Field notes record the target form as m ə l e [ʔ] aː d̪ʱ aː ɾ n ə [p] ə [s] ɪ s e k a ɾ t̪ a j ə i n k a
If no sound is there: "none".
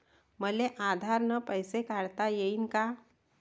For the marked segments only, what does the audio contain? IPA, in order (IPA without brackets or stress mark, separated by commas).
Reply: ʔ, p, none